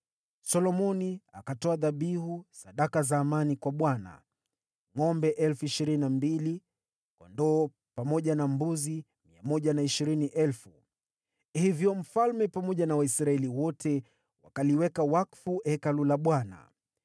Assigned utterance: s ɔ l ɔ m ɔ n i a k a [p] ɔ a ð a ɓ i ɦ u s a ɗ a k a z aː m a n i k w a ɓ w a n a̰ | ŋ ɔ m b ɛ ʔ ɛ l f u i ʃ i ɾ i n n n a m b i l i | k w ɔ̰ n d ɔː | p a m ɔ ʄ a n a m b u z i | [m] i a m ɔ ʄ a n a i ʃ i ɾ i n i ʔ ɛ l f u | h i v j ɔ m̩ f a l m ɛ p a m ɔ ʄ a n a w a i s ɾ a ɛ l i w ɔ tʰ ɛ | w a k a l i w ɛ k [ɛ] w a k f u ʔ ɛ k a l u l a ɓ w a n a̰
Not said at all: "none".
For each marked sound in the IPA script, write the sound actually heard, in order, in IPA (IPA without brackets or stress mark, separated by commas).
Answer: t, m, a